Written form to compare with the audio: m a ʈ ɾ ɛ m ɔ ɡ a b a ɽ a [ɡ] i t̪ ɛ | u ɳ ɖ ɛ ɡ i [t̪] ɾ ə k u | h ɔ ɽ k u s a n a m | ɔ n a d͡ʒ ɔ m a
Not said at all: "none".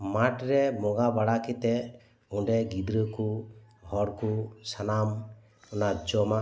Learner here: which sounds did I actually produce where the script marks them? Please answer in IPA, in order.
k, d̪

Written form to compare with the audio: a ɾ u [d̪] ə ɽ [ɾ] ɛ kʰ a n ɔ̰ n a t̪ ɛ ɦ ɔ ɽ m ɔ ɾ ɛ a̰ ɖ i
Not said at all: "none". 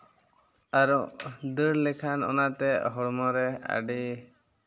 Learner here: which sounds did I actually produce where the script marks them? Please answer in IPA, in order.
d̪, l

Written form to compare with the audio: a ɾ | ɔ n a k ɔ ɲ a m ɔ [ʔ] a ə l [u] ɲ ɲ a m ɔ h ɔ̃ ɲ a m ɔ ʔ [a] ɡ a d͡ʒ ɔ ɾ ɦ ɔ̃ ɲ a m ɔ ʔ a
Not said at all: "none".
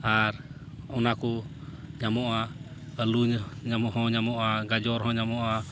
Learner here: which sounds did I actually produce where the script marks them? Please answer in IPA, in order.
ʔ, u, a

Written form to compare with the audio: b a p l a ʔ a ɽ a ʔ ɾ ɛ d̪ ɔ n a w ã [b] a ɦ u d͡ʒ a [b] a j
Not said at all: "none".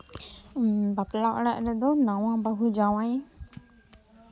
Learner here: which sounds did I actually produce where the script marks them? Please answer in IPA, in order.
b, w

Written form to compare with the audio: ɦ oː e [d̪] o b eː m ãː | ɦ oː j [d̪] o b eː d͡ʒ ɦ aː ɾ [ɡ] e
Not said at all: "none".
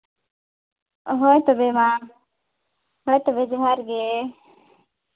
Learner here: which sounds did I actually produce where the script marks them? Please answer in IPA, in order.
t̪, t̪, ɡ

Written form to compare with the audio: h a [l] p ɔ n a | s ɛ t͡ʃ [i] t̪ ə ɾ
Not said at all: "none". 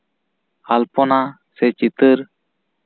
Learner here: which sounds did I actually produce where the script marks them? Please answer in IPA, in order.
l, i

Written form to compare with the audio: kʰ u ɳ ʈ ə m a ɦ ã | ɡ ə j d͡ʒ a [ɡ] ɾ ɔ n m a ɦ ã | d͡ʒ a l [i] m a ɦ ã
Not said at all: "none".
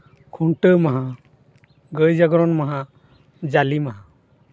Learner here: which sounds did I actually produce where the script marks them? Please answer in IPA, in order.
ɡ, i

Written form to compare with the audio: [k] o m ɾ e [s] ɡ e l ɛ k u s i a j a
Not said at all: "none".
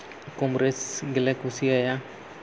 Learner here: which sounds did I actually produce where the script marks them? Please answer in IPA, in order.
k, s

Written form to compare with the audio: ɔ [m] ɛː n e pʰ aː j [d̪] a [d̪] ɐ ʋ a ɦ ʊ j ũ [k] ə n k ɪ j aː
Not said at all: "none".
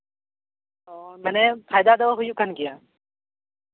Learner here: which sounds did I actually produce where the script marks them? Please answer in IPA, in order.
m, d̪, d̪, k

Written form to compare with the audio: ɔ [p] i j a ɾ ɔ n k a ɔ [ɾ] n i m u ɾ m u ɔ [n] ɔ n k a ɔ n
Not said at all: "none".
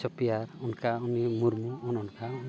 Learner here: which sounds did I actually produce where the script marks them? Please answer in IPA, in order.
p, none, n

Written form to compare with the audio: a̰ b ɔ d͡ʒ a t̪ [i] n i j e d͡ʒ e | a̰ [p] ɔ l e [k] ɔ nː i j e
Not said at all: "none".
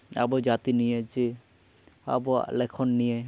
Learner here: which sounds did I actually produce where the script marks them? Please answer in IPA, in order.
i, b, kʰ

